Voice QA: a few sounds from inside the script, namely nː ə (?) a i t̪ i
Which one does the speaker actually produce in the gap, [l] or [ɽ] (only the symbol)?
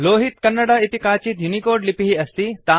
ɽ